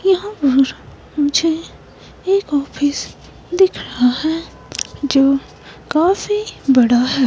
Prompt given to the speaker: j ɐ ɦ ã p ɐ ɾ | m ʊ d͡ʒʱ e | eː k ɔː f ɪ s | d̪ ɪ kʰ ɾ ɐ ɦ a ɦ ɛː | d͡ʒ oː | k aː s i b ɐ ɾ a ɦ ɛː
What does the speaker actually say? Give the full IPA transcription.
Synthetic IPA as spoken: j ɐ ɦ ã p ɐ ɾ | m ʊ d͡ʒʱ e | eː k ɔː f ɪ s | d̪ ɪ kʰ ɾ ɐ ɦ a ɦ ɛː | d͡ʒ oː | k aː f i b ɐ ɽ a ɦ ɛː

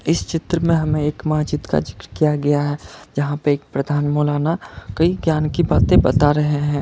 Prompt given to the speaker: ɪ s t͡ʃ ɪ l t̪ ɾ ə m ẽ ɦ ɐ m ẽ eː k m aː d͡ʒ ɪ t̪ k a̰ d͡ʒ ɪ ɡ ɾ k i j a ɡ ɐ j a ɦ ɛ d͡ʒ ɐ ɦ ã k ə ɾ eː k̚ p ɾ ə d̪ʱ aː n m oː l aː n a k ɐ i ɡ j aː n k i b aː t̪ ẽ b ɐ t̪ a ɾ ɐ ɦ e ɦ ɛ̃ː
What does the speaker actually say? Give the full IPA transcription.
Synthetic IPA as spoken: ɪ s t͡ʃ ɪ t̪ ɾ ə m ẽ ɦ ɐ m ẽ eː k m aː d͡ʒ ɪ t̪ k a̰ d͡ʒ ɪ k ɾ k i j a ɡ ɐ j a ɦ ɛ d͡ʒ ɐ ɦ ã p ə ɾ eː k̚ p ɾ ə d̪ʱ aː n m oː l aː n a k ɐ i ɡ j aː n k i b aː t̪ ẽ b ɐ t̪ a ɾ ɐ ɦ e ɦ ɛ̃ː

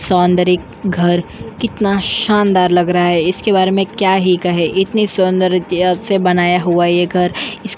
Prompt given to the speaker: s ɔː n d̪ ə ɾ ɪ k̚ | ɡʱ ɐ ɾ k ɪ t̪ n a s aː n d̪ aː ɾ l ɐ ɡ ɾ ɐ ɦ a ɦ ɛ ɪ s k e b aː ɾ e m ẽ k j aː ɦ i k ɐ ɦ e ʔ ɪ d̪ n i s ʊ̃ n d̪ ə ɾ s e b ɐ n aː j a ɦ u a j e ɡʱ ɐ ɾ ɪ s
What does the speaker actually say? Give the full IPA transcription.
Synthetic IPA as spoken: s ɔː n d̪ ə ɾ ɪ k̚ | ɡʱ ɐ ɾ k ɪ t̪ n a ʃ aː n d̪ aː ɾ l ɐ ɡ ɾ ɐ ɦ a ɦ ɛ ɪ s k e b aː ɾ e m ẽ k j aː ɦ i k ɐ ɦ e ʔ ɪ t̪ n i s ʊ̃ n d̪ ə ɾ s e b ɐ n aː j a ɦ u a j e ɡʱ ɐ ɾ ɪ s

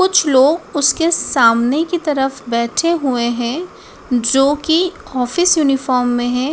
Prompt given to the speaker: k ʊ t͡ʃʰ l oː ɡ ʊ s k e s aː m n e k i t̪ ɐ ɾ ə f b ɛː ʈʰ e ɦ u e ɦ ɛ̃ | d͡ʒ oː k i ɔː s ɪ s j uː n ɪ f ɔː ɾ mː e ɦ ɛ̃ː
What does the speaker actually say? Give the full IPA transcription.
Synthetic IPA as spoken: k ʊ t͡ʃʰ l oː ɡ ʊ s k e s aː m n e k i t̪ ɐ ɾ ə f b ɛː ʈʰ e ɦ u e ɦ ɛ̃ | d͡ʒ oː k i ɔː f ɪ s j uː n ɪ f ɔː ɾ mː ẽ ɦ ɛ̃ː

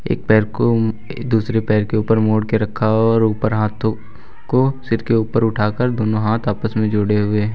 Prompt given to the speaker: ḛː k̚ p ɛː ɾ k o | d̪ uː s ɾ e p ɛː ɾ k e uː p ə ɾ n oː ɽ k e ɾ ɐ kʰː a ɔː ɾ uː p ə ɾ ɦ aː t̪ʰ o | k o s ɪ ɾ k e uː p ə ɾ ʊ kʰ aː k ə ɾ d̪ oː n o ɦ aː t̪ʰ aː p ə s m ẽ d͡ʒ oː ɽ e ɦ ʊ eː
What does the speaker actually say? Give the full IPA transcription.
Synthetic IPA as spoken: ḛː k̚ p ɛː ɾ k o | d̪ uː s ɾ e p ɛː ɾ k e uː p ə ɾ m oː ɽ k e ɾ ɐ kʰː a ɔː ɾ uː p ə ɾ ɦ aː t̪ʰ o | k o s ɪ ɾ k e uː p ə ɾ ʊ ʈʰ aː k ə ɾ d̪ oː n o ɦ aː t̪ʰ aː p ə s m ẽ d͡ʒ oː ɽ e ɦ ʊ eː

